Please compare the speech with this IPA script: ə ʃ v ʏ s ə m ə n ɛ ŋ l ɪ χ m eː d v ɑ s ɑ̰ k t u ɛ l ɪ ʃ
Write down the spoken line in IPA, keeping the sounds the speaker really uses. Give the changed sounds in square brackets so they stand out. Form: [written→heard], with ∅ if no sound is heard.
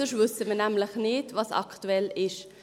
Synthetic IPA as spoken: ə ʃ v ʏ s ə m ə n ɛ [ŋ→m] l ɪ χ [m→n] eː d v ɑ s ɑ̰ k t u ɛ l ɪ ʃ